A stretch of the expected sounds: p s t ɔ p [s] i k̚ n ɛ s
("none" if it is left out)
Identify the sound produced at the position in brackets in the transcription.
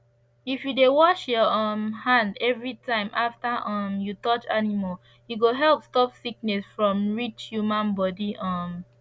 s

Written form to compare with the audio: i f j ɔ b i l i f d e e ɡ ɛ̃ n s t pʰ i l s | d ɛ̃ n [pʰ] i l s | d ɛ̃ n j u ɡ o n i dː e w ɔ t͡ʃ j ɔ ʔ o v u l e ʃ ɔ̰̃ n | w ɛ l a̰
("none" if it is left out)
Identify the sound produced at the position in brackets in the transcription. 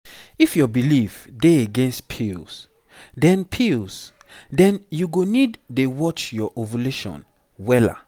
pʰ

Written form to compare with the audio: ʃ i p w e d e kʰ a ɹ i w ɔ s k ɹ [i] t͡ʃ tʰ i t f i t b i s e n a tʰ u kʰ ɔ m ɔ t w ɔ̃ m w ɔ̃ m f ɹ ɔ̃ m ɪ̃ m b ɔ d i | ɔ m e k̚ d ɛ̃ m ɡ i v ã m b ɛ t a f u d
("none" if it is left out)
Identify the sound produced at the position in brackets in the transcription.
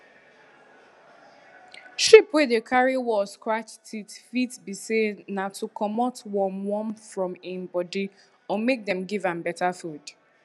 a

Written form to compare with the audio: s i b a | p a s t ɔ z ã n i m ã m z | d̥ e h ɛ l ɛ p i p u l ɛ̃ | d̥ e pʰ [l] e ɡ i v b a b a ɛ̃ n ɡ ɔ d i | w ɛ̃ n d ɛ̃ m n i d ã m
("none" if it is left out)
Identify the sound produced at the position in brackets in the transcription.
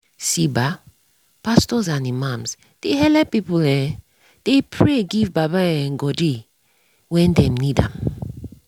ɹ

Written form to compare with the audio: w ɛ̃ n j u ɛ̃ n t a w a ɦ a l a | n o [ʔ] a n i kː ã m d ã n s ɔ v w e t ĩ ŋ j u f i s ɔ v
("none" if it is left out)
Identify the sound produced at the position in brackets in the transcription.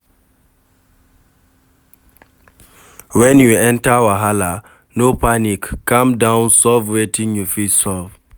p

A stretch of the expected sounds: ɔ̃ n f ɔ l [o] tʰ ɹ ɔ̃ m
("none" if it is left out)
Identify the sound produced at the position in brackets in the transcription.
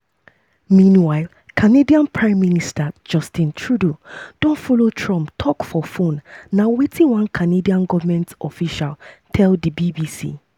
o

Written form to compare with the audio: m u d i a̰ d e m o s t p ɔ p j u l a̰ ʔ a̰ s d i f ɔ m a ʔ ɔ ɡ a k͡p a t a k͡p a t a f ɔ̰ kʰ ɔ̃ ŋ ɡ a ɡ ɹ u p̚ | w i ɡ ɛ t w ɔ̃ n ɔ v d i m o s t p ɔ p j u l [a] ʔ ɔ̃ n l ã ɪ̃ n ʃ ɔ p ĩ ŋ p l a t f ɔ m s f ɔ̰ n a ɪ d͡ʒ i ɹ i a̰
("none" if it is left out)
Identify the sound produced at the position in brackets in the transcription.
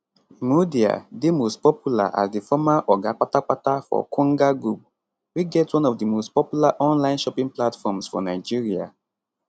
a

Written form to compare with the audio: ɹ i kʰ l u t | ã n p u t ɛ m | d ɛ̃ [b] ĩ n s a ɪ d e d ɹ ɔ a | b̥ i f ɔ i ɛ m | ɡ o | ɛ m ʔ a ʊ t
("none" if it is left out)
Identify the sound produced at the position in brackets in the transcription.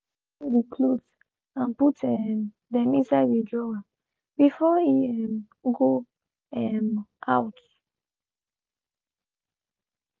m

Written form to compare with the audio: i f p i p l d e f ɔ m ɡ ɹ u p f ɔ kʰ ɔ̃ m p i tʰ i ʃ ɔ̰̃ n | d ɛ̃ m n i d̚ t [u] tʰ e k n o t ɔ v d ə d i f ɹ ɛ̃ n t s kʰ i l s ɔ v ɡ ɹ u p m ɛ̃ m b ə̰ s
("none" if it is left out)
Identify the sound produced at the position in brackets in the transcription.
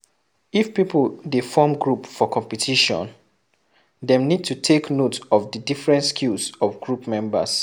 u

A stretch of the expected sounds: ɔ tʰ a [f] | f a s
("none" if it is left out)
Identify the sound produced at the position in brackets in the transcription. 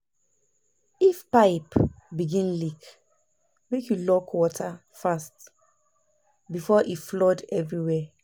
none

